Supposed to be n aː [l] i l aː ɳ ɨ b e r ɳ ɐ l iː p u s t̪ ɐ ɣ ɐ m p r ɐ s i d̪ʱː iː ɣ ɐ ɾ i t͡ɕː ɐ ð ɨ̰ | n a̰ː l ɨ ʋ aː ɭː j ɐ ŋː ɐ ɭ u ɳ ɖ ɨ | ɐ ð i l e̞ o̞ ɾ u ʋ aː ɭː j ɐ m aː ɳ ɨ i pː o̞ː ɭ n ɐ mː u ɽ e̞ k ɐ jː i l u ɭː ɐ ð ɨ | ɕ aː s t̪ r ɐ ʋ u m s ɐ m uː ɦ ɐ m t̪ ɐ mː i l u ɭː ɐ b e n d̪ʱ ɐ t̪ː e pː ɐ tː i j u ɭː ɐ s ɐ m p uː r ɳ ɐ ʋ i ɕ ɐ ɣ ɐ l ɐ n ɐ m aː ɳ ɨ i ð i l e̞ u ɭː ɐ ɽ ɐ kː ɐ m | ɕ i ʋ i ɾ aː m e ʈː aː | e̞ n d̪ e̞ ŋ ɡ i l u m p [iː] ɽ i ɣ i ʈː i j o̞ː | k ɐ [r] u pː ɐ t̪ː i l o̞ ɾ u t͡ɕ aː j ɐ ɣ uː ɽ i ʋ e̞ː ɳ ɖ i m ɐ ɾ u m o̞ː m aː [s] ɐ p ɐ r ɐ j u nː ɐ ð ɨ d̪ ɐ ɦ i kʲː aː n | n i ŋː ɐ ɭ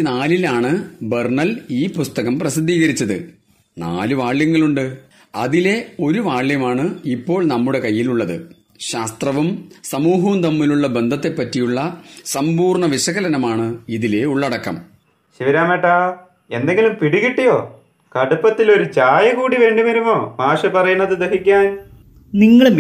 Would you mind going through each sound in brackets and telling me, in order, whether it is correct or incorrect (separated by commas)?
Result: correct, incorrect, incorrect, incorrect